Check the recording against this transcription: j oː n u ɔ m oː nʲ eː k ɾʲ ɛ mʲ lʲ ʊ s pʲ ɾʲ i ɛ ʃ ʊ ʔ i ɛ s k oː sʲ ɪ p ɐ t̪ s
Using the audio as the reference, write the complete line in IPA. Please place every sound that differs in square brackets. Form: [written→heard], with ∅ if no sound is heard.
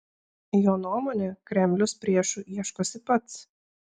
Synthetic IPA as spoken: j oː n u ɔ m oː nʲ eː k ɾʲ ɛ mʲ lʲ ʊ s pʲ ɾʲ i ɛ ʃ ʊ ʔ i ɛ [s→ʃ] k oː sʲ ɪ p ɐ t̪ s